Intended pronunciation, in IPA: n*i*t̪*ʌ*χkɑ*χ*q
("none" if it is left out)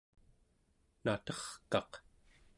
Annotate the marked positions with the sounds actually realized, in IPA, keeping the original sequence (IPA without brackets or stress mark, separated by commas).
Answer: a, ʌ, none